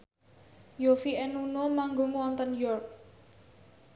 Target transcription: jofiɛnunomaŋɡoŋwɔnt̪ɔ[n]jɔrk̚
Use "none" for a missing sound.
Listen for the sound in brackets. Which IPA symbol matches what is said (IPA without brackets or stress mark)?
n